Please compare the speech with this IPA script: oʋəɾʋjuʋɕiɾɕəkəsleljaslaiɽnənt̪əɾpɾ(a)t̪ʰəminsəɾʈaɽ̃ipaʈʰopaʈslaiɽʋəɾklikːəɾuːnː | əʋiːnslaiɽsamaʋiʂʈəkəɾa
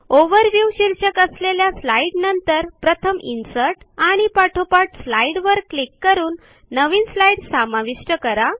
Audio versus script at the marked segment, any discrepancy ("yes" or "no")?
yes